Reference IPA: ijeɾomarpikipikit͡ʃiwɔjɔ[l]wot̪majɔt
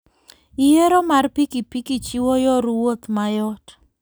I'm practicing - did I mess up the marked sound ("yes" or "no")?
yes